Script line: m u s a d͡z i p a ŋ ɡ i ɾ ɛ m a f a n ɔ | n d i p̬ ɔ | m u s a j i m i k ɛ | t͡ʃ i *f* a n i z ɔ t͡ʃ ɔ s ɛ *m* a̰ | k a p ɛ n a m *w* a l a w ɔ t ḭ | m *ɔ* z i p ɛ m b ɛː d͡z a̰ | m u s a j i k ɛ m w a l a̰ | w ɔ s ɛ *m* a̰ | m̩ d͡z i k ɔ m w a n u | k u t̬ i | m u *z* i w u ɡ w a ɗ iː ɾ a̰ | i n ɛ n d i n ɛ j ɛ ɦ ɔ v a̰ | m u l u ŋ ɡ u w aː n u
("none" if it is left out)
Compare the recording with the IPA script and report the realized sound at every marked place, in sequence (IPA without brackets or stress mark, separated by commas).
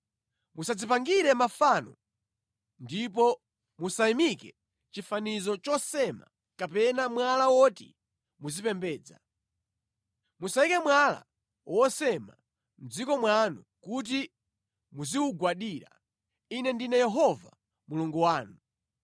f, m, w, u, m, z